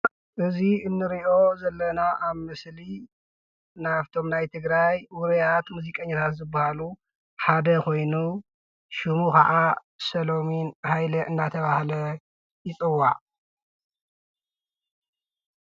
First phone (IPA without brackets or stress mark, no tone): ʔ